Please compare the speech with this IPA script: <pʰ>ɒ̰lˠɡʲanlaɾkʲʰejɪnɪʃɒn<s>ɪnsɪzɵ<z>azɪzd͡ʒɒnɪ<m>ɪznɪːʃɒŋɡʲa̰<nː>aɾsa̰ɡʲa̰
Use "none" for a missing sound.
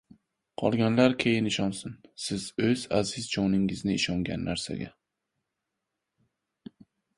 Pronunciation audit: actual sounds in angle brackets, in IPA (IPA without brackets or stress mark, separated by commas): qʰ, s, z, ŋ, nː